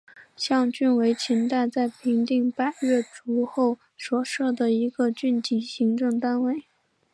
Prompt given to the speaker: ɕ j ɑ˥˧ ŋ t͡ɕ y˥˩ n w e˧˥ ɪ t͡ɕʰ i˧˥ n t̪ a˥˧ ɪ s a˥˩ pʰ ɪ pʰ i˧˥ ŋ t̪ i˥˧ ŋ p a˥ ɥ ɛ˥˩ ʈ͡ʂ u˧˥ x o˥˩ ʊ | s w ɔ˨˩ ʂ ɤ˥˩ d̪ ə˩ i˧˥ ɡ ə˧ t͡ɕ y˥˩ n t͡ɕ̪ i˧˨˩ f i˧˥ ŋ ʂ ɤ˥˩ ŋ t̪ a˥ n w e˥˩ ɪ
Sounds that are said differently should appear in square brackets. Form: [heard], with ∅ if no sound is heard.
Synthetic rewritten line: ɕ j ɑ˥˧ ŋ t͡ɕ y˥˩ n w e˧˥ ɪ t͡ɕʰ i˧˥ n t̪ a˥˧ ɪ [t͡s] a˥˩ [∅] ɪ pʰ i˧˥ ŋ t̪ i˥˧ ŋ p a˥ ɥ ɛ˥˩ ʈ͡ʂ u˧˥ x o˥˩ ʊ | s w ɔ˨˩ ʂ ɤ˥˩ d̪ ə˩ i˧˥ ɡ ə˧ t͡ɕ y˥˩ n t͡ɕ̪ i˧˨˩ [ɕ] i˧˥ ŋ [ʈ͡ʂ] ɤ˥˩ ŋ t̪ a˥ n w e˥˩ ɪ